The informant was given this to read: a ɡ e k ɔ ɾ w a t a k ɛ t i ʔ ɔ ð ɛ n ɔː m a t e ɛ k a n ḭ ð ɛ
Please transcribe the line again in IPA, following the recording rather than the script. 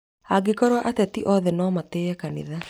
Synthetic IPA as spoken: a ɡ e k ɔ ɾ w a ʔ a t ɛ t i ʔ ɔ ð ɛ n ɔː m a t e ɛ k a n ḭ ð a